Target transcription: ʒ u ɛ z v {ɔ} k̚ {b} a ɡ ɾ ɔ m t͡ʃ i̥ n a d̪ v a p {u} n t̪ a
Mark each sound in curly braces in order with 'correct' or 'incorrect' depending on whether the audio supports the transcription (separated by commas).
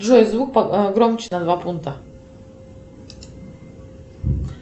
incorrect, incorrect, correct